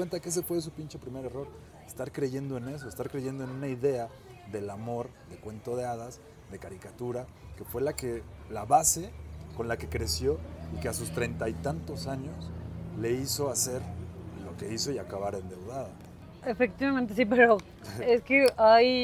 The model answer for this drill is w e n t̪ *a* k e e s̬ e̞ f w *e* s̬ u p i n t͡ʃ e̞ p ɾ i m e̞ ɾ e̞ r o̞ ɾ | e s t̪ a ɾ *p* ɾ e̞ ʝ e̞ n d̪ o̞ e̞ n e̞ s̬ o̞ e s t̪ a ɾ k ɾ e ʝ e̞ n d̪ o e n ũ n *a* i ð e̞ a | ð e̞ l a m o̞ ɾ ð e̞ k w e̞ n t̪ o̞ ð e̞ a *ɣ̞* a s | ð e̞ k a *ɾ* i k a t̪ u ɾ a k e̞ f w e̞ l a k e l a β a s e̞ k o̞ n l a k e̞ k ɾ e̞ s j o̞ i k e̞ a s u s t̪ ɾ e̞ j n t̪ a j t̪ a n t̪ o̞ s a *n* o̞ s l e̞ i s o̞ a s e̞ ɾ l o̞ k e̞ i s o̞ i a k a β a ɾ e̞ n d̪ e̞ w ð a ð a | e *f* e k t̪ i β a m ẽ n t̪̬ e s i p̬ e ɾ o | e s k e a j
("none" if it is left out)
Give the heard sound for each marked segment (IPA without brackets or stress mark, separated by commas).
a, e, k, a, ð̞, ɾ, ɲ, f